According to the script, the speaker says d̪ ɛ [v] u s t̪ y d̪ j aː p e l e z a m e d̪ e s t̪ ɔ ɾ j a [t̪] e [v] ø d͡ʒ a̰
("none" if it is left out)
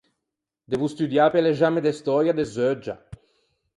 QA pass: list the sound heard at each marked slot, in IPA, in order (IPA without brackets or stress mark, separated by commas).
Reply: v, d̪, z